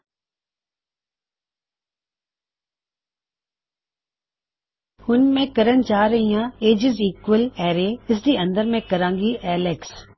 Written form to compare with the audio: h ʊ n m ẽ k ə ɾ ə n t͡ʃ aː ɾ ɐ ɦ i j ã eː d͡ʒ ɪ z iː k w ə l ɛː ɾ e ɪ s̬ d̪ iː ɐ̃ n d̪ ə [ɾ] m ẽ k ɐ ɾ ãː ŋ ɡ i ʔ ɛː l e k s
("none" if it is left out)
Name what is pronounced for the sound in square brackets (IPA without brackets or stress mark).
ɾ